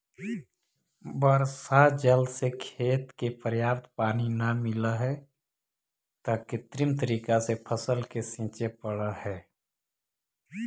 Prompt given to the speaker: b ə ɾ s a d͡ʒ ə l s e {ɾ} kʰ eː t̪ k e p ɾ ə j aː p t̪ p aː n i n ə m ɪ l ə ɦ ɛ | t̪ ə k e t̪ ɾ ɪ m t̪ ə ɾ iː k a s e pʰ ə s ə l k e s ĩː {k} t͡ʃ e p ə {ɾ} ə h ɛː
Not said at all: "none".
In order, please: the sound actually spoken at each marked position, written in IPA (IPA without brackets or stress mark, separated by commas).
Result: none, none, ɽ